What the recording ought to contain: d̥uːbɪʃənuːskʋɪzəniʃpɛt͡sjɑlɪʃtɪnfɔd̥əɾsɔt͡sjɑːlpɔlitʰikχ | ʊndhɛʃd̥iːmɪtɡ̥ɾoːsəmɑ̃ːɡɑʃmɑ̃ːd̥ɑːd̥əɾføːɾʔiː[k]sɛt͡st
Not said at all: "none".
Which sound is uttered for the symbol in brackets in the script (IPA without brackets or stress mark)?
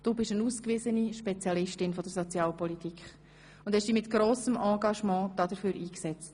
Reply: k